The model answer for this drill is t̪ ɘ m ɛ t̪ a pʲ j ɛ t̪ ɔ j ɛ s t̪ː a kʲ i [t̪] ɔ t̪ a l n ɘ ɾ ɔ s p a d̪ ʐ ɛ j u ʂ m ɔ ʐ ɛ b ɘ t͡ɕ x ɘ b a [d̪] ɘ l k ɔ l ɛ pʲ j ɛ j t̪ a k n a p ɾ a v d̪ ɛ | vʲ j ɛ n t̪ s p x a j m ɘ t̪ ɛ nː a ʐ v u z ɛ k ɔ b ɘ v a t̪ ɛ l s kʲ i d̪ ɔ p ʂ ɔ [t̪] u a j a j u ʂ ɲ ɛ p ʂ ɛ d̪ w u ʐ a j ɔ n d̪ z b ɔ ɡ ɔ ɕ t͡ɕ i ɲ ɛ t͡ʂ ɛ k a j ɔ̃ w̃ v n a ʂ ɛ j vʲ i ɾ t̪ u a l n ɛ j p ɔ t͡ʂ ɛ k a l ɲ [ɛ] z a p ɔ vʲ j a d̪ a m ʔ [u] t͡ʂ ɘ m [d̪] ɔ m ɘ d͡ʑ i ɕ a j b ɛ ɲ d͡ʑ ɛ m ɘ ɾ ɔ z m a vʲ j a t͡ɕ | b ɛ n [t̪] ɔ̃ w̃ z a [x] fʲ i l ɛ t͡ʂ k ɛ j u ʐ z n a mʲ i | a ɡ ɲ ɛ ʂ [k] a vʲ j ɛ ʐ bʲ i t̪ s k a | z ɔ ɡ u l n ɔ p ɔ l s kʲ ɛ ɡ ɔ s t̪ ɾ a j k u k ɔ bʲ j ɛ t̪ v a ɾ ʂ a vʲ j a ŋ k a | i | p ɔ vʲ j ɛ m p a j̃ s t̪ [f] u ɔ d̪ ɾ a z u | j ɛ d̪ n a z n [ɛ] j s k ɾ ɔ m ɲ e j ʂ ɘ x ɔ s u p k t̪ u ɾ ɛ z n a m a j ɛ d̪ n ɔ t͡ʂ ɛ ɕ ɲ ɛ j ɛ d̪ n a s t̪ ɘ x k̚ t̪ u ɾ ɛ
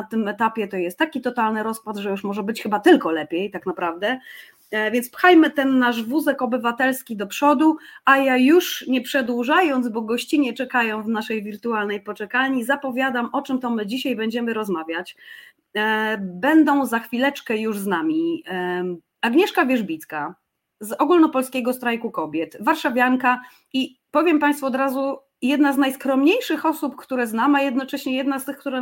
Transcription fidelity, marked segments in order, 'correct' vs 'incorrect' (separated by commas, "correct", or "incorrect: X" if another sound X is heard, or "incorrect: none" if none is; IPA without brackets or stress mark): correct, incorrect: t̪, incorrect: d̪, incorrect: i, incorrect: ɔ, incorrect: t̪, incorrect: d̪, correct, correct, correct, incorrect: a